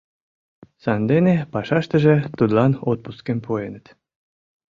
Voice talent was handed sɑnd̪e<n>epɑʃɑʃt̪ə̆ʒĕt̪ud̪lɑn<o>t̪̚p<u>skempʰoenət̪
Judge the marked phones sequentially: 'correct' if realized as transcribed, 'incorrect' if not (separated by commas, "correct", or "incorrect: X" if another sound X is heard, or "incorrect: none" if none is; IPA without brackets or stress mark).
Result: correct, correct, correct